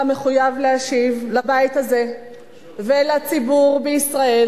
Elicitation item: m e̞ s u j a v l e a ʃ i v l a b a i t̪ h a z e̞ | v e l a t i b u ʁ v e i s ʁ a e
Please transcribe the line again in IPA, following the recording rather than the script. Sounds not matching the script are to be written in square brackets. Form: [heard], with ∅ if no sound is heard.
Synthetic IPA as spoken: m e̞ [χ] u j a v l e a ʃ i v l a b a i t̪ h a z e̞ | v e l a [t͡s] i b u ʁ [b] e i s ʁ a e